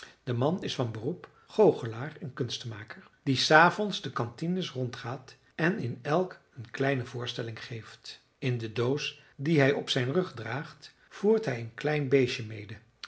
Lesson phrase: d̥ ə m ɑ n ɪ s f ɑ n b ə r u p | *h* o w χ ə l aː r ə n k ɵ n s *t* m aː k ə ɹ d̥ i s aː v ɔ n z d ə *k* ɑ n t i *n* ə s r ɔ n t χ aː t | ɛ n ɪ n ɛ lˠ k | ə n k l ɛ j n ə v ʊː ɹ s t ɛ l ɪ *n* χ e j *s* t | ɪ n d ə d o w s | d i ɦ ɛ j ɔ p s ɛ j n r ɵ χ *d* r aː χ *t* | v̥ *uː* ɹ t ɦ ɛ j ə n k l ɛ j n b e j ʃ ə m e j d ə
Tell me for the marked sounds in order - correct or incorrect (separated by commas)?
incorrect, correct, correct, correct, incorrect, incorrect, correct, correct, correct